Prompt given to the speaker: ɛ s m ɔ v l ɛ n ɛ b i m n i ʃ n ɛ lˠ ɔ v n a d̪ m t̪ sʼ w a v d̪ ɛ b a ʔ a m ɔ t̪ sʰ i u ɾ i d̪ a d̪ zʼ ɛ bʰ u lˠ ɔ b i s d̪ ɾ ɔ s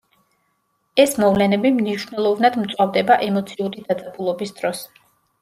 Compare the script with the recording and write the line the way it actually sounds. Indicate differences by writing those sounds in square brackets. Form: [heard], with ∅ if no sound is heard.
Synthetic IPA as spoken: ɛ s m ɔ v l ɛ n ɛ b i m n i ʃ n ɛ lˠ ɔ v n a d̪ m t̪ sʼ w a v d̪ ɛ b a ʔ [ɛ] m ɔ t̪ sʰ i u ɾ i d̪ a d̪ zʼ [a] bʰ u lˠ ɔ b i s d̪ ɾ ɔ s